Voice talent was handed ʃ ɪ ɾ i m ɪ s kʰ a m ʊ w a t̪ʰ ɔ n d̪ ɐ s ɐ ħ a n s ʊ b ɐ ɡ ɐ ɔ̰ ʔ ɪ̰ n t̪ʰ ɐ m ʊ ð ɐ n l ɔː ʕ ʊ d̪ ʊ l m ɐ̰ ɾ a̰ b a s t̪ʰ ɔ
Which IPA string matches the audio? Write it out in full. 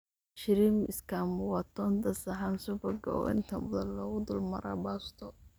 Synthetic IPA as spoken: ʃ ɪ ɾ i m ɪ s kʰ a m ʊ w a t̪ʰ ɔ n d̪ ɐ s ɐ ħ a n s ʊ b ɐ ɡ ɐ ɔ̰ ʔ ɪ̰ n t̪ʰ ɐ m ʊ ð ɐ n l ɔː ɣ ʊ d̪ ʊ l m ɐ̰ ɾ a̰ b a s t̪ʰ ɔ